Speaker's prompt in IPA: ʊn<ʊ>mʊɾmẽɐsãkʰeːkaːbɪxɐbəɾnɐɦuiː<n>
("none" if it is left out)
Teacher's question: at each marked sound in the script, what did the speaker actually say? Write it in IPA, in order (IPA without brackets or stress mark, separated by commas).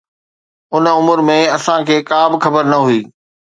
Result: ʊ, none